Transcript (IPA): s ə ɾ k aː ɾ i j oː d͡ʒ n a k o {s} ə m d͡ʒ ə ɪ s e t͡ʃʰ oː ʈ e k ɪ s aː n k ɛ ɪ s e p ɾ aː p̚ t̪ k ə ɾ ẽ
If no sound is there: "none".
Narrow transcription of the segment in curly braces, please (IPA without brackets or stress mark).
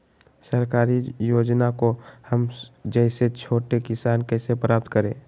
h